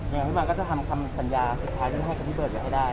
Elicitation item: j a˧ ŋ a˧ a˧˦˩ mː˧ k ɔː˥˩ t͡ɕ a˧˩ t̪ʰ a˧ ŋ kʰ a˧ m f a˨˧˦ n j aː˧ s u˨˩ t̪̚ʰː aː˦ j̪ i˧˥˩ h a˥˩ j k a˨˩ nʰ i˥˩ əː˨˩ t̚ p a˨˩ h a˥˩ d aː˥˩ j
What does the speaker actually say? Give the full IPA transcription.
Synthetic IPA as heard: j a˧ ŋ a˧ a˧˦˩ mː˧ k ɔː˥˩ t͡ɕ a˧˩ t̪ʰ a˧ m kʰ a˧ m s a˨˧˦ n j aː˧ s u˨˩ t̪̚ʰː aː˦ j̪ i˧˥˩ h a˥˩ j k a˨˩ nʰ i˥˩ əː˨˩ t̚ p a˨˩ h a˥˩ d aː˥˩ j

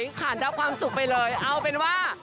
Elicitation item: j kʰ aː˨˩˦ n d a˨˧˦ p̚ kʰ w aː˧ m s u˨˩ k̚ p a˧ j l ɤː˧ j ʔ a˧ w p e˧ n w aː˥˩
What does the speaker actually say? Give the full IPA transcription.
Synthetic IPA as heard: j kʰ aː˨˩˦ n d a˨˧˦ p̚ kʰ w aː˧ m s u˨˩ k̚ p a˧ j l ɤː˧ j ʔ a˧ w p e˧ n w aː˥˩

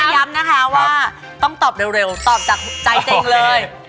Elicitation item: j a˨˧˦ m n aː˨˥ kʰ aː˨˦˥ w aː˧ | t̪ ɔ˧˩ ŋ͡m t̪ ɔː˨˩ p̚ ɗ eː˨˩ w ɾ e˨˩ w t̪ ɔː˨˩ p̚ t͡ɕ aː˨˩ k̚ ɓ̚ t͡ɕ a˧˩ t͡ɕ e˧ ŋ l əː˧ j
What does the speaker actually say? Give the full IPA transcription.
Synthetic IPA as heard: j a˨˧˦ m n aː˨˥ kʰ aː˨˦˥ w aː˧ | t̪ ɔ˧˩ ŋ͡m t̪ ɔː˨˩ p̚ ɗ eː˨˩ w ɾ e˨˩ w t̪ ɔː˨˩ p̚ t͡ɕ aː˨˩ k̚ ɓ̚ t͡ɕ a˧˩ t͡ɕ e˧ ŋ l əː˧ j

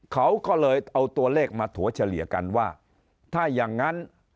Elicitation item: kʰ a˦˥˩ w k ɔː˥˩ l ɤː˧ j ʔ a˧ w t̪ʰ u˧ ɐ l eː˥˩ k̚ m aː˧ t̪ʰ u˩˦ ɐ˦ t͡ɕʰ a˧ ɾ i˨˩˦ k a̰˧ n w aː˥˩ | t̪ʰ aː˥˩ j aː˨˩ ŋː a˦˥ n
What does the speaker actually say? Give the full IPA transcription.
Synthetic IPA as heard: kʰ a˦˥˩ w k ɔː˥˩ l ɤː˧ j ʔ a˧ w t̪ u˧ ɐ l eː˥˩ k̚ m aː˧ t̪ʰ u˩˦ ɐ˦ t͡ɕʰ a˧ l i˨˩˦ k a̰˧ n w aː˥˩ | t̪ʰ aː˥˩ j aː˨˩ ŋː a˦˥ n

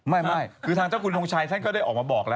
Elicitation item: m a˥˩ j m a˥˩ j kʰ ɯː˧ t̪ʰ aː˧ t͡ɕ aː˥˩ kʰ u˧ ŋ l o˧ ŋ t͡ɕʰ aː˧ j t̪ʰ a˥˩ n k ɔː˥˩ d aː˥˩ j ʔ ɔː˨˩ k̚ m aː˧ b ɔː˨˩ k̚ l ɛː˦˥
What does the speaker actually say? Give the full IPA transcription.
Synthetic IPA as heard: m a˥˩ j m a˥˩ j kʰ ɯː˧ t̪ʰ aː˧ t͡ɕ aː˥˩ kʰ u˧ n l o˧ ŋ t͡ɕʰ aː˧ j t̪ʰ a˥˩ n k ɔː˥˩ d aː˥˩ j ʔ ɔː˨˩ k̚ m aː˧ b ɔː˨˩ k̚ l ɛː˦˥

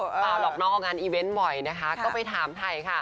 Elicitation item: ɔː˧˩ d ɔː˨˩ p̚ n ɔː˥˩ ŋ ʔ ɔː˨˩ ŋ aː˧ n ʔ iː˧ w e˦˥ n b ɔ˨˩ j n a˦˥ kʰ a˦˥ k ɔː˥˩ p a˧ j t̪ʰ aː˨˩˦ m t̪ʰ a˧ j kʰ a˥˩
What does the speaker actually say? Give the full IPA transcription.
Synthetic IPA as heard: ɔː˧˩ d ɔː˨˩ k̚ n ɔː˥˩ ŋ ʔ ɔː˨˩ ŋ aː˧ n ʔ iː˧ w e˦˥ n b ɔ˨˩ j n a˦˥ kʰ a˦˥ k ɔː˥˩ p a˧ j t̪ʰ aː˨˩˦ m t̪ʰ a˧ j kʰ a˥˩

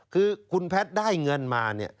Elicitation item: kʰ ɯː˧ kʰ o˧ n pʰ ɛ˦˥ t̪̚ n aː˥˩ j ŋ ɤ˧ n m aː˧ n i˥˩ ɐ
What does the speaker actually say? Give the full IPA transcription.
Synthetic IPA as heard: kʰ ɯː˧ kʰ u˧ n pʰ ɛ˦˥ t̪̚ d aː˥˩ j ŋ ɤ˧ n m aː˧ n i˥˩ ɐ

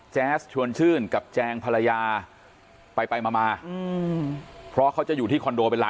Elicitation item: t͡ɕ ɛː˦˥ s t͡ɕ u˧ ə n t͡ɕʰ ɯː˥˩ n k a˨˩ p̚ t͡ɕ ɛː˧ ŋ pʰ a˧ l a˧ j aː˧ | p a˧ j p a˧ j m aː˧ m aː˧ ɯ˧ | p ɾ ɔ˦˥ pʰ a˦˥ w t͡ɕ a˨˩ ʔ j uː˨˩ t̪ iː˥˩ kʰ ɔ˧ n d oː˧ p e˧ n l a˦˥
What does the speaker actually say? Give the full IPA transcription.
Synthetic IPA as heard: t͡ɕ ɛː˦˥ s t͡ɕʰ u˧ ə n t͡ɕʰ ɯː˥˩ n k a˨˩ p̚ t͡ɕ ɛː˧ ŋ pʰ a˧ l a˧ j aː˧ | p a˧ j p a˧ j m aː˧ m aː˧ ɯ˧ | pʰ ɾ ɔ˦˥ kʰ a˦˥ w t͡ɕ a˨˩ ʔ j uː˨˩ t̪ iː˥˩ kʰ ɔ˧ n d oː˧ p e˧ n l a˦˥

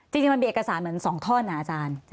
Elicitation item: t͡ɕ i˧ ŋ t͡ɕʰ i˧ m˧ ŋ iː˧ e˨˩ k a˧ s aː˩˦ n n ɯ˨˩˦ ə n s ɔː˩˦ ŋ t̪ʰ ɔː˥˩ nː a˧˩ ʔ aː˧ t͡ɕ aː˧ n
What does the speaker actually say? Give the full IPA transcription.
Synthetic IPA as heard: t͡ɕ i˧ ŋ t͡ɕ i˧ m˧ m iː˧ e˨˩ k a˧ s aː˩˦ n m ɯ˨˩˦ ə n s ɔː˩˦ ŋ t̪ʰ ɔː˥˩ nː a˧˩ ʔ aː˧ t͡ɕ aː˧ n

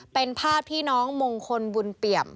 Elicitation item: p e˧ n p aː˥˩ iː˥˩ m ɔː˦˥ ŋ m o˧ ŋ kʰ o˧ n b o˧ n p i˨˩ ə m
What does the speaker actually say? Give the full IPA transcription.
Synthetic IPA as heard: p e˧ n pʰ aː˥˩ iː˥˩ n ɔː˦˥ ŋ m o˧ ŋ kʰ o˧ n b u˧ n p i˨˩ ə m

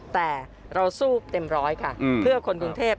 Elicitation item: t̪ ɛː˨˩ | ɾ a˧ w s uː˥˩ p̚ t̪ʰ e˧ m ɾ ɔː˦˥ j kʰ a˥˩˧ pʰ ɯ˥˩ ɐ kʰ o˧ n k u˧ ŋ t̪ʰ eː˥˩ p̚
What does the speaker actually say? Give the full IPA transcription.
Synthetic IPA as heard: t̪ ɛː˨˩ | ɾ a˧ w s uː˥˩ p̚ t̪ e˧ m ɾ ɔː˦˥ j kʰ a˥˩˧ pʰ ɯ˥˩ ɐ kʰ o˧ n k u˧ ŋ t̪ʰ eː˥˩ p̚

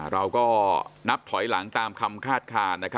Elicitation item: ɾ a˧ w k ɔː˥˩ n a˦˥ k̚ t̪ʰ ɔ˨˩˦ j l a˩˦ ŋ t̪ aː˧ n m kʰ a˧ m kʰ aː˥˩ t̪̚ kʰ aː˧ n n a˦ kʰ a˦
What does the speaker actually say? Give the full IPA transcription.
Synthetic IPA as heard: ɾ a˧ w k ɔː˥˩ n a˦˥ p̚ t̪ʰ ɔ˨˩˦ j l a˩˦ ŋ t̪ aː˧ m kʰ a˧ m kʰ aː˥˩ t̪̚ kʰ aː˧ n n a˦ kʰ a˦

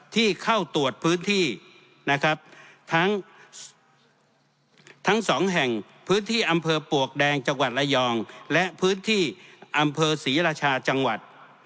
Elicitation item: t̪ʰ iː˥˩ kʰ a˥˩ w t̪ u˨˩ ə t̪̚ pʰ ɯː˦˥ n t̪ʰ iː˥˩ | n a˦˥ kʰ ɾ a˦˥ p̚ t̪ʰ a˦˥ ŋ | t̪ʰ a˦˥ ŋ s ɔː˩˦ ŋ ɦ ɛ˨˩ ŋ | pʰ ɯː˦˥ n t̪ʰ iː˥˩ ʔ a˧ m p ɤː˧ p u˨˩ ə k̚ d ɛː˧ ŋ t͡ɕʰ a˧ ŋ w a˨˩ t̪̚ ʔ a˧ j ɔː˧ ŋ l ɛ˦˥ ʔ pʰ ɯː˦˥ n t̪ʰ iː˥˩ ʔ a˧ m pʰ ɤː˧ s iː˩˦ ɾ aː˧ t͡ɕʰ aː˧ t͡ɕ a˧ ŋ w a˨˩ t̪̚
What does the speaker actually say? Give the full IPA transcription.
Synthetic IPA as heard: t̪ʰ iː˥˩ kʰ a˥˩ w t̪ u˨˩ ə t̪̚ pʰ ɯː˦˥ n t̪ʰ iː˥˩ | n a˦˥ kʰ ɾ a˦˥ p̚ t̪ʰ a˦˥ ŋ | t̪ʰ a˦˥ ŋ s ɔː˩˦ ŋ ɦ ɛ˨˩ ŋ | pʰ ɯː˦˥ n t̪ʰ iː˥˩ ʔ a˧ m pʰ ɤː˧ p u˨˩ ə k̚ d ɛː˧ ŋ t͡ɕ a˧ ŋ w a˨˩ t̪̚ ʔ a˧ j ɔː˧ ŋ l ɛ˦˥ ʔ pʰ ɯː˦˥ n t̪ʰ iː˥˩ ʔ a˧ m pʰ ɤː˧ s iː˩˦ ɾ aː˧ t͡ɕʰ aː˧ t͡ɕ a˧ ŋ w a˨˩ t̪̚

